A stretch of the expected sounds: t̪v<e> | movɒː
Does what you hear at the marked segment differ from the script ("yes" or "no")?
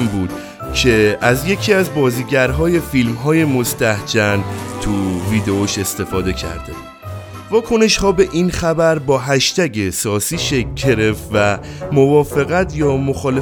yes